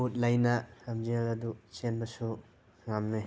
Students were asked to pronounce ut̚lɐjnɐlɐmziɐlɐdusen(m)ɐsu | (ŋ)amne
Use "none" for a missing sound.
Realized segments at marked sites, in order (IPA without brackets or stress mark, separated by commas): b, ŋ